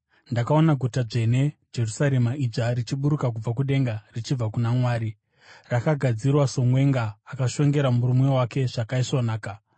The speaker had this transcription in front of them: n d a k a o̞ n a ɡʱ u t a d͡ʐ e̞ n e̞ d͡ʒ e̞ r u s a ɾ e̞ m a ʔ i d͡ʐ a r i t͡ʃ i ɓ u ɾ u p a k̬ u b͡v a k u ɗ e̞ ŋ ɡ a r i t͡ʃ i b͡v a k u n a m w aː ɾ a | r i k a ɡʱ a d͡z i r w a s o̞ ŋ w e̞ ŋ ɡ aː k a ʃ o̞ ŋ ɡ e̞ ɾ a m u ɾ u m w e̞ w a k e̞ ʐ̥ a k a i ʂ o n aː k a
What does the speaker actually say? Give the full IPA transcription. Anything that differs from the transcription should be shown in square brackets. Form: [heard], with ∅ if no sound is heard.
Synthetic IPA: n d a k a o̞ n a ɡʱ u t a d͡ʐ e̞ n e̞ d͡ʒ e̞ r u s a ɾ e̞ m a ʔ i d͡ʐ a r i t͡ʃ i ɓ u ɾ u [k] a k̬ u b͡v a k u ɗ e̞ ŋ ɡ a r i t͡ʃ i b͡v a k u n a m w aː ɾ [i] | r [a] k a ɡʱ a d͡z i r w a s o̞ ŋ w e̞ ŋ ɡ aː k a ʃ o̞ ŋ ɡ e̞ ɾ a m u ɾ u m w e̞ w a k e̞ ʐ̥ a k a i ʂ o n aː k a